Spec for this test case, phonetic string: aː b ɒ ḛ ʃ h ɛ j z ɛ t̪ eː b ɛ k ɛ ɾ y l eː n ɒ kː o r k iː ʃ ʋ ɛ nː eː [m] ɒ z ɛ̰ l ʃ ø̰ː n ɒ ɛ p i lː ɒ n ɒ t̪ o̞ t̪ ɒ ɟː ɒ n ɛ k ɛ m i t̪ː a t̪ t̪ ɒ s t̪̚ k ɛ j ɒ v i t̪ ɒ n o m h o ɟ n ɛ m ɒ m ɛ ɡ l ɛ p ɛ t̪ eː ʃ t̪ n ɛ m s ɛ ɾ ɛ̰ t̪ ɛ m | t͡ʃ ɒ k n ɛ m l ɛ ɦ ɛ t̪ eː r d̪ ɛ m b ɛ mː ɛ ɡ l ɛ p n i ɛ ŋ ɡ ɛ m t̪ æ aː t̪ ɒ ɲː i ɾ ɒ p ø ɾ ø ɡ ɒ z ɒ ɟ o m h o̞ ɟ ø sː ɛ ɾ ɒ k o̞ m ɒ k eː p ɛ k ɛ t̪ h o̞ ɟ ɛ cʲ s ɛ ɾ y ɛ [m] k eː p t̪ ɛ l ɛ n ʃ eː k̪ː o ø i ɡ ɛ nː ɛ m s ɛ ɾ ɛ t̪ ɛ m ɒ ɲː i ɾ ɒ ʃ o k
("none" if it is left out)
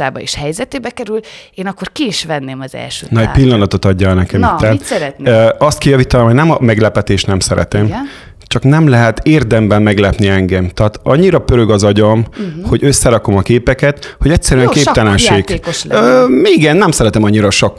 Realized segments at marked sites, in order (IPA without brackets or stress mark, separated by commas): m, ŋ